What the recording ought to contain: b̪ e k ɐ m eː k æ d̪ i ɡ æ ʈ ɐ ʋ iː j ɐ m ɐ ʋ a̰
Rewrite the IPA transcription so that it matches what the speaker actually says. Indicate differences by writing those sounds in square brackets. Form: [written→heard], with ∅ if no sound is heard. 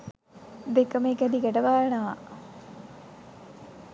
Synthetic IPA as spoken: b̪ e k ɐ m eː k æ d̪ i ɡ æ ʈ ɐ ʋ [iː→aː] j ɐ [m→n] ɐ ʋ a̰

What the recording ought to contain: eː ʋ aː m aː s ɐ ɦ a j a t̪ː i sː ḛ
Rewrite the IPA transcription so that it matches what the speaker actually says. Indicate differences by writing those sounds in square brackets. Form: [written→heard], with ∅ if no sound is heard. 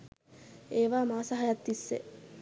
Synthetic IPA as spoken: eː ʋ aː m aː s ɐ ɦ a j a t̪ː i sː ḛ

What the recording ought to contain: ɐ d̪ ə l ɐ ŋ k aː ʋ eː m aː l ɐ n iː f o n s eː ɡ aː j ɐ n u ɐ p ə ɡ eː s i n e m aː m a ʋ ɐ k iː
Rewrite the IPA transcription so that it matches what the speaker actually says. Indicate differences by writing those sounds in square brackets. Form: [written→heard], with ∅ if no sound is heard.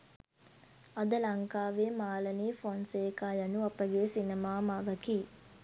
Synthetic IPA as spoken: ɐ d̪ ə l ɐ ŋ k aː ʋ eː m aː l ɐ n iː f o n s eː [ɡ→k] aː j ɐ n u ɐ p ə ɡ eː s i n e m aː m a ʋ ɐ k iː

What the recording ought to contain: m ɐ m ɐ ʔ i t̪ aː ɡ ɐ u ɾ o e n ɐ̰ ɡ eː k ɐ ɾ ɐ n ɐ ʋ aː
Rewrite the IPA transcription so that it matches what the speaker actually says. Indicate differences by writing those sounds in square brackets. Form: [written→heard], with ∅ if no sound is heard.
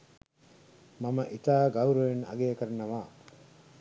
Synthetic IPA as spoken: m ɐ m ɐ ʔ i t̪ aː ɡ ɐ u ɾ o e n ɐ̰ ɡ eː k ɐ ɾ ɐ n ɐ ʋ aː

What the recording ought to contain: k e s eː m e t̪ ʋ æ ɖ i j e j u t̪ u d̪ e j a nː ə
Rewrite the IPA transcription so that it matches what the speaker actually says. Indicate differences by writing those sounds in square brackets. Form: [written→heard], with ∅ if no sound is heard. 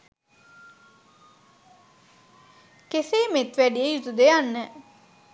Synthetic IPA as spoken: k e s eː m e t̪ ʋ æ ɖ i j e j u t̪ u d̪ e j a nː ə

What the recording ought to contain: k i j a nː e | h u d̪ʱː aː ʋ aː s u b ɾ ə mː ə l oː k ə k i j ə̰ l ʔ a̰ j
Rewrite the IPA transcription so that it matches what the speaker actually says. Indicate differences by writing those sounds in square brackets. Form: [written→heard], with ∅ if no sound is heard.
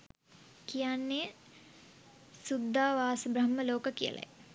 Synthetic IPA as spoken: k i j a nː e | [h→s] u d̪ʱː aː ʋ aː s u b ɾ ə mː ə l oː k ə k i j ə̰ l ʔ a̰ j

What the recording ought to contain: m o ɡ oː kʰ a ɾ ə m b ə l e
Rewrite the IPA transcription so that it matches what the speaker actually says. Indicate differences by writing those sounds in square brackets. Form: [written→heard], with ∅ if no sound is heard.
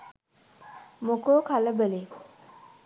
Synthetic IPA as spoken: m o [ɡ→k] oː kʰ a [ɾ→l] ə [m→∅] b ə l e

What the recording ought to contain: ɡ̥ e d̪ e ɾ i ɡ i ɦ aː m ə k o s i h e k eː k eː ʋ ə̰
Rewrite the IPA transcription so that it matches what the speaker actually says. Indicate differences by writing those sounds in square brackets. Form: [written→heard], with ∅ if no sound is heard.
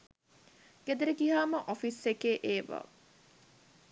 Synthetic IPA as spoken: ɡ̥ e d̪ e ɾ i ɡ i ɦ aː m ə [k→ʔ] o [s→f] i [h→s] e k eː [k→ʔ] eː ʋ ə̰

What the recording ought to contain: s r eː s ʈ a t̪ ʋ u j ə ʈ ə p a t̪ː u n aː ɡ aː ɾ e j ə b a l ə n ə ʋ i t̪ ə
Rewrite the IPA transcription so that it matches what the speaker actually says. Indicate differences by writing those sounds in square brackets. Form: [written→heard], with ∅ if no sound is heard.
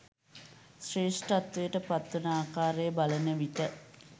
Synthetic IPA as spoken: s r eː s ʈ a t̪ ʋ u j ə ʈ ə p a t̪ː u n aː [ɡ→k] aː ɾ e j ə b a l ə n ə ʋ i t̪ ə

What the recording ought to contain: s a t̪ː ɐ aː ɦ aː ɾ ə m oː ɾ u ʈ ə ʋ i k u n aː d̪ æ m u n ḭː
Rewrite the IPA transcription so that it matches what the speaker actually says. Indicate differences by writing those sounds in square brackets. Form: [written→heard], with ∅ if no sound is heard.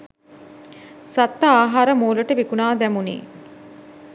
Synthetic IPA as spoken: s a t̪ː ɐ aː ɦ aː ɾ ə m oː [ɾ→l] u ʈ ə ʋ i k u n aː d̪ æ m u n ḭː

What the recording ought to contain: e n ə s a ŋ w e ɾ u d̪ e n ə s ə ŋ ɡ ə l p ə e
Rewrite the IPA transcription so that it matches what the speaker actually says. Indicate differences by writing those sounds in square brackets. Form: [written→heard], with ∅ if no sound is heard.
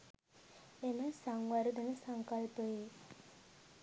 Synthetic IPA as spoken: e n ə s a ŋ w [e→a] ɾ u d̪ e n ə s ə ŋ [ɡ→k] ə l p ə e

